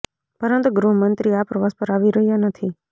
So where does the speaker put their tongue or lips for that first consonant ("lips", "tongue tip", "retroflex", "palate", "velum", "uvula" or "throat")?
lips